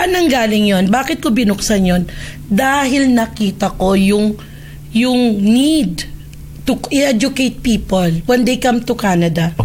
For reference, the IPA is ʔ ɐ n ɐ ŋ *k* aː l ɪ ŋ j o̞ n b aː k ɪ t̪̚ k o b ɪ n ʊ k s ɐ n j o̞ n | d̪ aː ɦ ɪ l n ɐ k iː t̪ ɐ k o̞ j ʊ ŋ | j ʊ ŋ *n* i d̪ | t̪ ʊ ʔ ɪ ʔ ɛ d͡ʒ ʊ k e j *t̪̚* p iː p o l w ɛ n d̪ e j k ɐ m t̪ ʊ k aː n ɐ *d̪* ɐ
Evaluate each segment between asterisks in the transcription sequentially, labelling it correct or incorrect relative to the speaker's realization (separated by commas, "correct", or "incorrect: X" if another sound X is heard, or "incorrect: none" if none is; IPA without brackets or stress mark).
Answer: incorrect: ɡ, correct, correct, correct